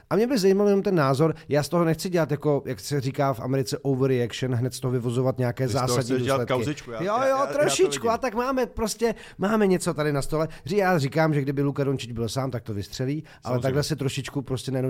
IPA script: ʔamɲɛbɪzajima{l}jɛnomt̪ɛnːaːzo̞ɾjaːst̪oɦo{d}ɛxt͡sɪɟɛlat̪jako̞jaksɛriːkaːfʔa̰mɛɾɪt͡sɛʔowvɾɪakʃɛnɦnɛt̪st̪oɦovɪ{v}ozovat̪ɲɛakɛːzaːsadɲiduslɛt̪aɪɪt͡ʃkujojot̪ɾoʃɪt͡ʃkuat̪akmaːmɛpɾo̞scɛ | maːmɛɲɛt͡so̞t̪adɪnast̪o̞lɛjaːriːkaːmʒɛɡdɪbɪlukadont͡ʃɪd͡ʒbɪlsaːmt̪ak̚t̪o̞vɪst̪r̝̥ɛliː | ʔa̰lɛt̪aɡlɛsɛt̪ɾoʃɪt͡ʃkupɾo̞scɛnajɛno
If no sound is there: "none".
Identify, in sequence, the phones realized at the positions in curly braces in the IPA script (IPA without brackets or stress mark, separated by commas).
l, n, v